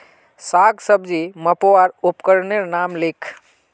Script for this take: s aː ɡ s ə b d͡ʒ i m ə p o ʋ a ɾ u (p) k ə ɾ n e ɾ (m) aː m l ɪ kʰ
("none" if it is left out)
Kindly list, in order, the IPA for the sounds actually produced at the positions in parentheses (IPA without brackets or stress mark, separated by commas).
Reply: p, n